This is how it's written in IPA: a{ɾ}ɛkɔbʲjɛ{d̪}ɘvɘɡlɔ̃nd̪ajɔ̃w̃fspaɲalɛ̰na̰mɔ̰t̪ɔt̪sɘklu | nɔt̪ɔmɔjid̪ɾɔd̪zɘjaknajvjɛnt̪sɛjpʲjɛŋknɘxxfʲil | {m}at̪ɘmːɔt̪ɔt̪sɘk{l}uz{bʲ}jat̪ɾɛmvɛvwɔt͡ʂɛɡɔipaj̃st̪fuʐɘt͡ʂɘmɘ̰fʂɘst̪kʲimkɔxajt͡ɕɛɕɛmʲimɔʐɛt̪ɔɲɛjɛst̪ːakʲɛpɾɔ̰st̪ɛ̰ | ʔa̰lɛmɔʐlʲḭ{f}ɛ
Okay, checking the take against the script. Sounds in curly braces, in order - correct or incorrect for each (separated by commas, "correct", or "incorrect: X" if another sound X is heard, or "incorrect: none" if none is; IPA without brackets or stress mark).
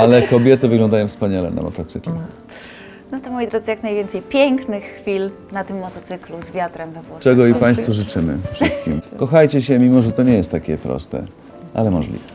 incorrect: l, incorrect: t̪, incorrect: n, correct, incorrect: vʲ, incorrect: v